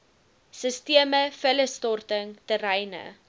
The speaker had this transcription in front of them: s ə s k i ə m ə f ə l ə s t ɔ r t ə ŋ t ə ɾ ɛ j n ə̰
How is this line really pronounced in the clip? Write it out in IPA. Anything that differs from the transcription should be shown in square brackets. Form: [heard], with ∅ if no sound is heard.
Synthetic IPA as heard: s ə s [t] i ə m ə f ə l ə s t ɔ r t ə ŋ t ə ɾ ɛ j n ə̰

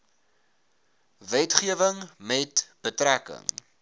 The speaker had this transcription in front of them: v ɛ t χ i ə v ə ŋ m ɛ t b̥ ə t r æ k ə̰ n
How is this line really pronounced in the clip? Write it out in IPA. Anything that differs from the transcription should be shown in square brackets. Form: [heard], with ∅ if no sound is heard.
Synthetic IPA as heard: v ɛ t χ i ə v ə ŋ m ɛ t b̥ ə t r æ k ə̰ [ŋ]

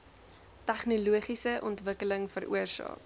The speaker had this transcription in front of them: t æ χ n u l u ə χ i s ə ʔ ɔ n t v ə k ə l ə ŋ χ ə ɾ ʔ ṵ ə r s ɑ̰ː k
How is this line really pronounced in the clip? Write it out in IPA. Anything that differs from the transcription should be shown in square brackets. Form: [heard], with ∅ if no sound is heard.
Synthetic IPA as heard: t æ χ n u l u ə χ i s ə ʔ ɔ n t v ə k ə l ə ŋ [f] ə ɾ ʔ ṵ ə r s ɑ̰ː k

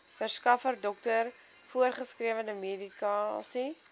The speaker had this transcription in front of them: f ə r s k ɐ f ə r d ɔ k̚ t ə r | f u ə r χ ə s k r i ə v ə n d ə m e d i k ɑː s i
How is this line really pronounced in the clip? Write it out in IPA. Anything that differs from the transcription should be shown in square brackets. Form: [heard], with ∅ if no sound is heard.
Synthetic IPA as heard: f ə r s k ɐ f ə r d ɔ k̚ t ə r | f u ə r χ ə s k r i ə v ə n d ə m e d i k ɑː s i

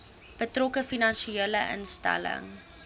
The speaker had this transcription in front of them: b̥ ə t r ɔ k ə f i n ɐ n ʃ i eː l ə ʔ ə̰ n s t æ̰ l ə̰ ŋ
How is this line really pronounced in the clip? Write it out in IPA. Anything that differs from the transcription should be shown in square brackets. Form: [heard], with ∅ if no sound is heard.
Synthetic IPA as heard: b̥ ə t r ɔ k ə f i n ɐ n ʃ i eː l ə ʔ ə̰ n s t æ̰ l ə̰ ŋ

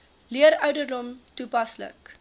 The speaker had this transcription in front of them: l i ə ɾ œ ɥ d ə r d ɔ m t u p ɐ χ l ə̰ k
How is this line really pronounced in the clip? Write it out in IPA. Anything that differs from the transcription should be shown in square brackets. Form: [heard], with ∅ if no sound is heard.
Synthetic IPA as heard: l i ə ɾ œ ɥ d ə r d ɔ m t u p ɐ [s] l ə̰ k

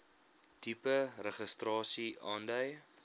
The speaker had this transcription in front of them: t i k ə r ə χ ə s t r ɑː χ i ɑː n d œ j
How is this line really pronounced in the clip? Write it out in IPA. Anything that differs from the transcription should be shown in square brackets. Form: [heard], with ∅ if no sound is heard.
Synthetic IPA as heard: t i [p] ə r ə χ ə s t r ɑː [s] i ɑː n d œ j

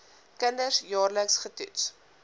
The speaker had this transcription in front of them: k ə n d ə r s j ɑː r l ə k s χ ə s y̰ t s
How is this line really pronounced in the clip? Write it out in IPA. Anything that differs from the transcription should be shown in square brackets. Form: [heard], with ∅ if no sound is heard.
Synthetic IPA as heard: k ə n d ə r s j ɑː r l ə k s χ ə [t] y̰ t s

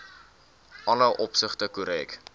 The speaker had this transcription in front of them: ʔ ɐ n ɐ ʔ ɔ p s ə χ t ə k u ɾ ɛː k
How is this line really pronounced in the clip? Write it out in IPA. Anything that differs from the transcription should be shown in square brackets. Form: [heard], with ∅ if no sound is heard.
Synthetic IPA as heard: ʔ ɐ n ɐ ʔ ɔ p s ə χ t ə k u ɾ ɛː k

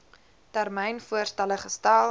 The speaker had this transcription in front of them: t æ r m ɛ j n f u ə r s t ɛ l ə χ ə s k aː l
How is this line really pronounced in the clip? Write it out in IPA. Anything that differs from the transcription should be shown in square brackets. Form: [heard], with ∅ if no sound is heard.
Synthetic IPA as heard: t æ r m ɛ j n f u ə r s t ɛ l ə χ ə s [t] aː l

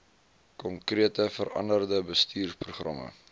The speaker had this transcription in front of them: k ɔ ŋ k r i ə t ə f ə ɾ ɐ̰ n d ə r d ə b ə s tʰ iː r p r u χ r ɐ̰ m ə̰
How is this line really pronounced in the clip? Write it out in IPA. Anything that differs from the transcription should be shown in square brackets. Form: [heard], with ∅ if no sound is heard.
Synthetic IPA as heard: k ɔ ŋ k r i ə t ə f ə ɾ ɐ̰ n d ə r d ə b ə s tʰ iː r p r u χ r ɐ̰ m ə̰

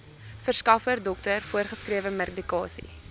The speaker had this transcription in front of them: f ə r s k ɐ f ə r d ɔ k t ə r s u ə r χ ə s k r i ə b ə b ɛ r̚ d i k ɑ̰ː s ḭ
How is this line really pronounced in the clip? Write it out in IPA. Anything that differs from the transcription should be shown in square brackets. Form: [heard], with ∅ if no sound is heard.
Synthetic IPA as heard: f ə r s k ɐ f ə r d ɔ k t ə r [f] u ə r χ ə s k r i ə [v] ə [m] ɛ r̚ d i k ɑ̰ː s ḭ

